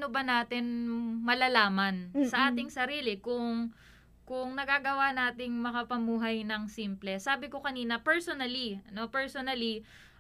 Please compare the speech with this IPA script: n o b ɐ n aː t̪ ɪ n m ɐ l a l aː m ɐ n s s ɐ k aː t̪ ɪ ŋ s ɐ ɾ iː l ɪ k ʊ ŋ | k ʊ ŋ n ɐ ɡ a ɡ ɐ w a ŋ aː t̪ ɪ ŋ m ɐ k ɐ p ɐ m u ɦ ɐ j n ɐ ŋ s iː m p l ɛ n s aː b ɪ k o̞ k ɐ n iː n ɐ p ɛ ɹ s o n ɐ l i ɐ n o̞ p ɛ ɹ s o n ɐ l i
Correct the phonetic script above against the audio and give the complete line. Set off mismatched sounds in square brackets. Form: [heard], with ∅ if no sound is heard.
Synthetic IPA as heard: n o b ɐ n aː t̪ ɪ n m ɐ l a l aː m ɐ n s s ɐ [ʔ] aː t̪ ɪ ŋ s ɐ ɾ iː l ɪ k ʊ ŋ | k ʊ ŋ n ɐ ɡ a ɡ ɐ w a [n] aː t̪ ɪ ŋ m ɐ k ɐ p ɐ m [uː] ɦ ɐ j n ɐ ŋ s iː m p l ɛ [∅] s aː b ɪ k o̞ k ɐ n iː n ɐ p ɛ ɹ s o n ɐ l i ɐ n o̞ p ɛ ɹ s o n ɐ l i